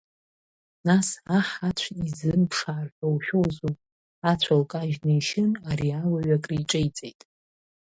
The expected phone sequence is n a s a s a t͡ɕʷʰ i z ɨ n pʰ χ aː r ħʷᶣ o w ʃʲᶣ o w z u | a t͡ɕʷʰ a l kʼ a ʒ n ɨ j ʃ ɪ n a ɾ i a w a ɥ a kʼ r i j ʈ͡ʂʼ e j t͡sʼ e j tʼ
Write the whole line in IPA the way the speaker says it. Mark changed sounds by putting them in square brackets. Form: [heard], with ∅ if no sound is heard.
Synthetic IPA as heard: n a s a [ħ] a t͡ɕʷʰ i z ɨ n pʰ [ʂ] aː r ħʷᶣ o w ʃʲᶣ o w z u | a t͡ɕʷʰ a l kʼ a ʒ n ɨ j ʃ ɪ n a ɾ i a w a ɥ a kʼ r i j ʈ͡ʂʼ e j t͡sʼ e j tʼ